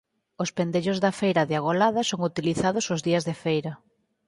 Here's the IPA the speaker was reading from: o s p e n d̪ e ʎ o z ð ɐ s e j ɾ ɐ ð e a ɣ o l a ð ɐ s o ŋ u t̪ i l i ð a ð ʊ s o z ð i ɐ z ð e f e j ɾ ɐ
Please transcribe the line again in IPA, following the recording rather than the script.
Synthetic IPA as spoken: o s p e n d̪ e ʎ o z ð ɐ f e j ɾ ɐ ð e a ɣ o l a ð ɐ s o ŋ u t̪ i l i θ a ð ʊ s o z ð i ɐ z ð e f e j ɾ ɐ